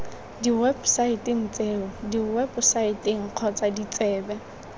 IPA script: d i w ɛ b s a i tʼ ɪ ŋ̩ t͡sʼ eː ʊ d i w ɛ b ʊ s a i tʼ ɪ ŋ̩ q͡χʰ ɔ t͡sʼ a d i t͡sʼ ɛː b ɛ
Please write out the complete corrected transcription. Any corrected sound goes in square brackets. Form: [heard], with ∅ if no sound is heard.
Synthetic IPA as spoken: d i w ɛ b s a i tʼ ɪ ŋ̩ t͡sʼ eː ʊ d i w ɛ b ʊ s a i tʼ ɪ ŋ̩ q͡χʰ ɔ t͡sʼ a d i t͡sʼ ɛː b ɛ